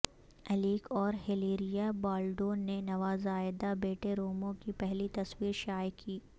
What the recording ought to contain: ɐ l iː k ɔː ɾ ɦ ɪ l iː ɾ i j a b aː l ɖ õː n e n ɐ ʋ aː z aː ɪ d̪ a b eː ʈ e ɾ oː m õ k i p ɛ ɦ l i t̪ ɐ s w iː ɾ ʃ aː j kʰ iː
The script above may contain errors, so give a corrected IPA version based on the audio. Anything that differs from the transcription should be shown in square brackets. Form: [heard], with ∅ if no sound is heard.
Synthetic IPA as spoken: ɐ l iː k ɔː ɾ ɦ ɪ l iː ɾ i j a b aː l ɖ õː n e n ɐ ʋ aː z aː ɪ d̪ a b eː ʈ e ɾ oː m õ k i p ɛ ɦ l i t̪ ɐ s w iː ɾ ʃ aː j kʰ iː